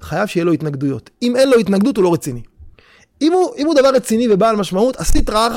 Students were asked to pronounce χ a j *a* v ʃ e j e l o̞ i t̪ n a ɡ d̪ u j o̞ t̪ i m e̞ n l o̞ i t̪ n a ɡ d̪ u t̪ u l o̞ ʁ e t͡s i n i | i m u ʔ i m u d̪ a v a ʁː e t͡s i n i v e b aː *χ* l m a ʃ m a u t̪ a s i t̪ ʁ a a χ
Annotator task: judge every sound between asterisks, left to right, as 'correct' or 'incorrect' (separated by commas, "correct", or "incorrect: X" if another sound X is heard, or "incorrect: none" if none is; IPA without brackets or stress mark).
correct, incorrect: none